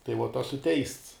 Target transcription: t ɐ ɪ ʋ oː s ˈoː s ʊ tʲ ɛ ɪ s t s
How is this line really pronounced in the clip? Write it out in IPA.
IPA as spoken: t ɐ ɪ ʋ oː t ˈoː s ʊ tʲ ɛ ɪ s t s